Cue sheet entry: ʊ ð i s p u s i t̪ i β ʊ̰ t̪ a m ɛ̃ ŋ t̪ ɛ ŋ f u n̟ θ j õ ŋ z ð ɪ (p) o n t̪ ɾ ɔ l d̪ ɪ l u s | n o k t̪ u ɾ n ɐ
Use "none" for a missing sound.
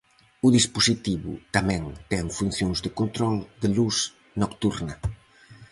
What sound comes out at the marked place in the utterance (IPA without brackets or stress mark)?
k